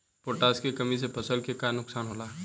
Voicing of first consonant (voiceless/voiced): voiceless